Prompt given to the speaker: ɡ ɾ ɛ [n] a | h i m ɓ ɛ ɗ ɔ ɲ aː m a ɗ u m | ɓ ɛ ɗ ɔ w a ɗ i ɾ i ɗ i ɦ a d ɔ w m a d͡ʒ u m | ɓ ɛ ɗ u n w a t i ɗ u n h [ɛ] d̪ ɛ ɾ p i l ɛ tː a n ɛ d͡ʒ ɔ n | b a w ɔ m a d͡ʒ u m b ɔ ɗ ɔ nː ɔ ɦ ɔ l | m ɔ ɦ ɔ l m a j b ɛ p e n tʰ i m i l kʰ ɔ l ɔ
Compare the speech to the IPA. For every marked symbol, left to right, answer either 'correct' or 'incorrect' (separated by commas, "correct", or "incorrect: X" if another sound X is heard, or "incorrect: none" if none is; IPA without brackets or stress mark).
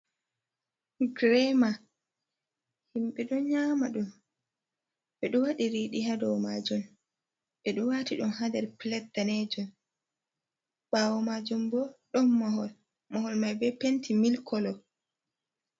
incorrect: m, incorrect: a